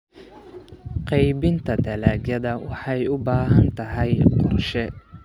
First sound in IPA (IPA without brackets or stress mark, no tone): q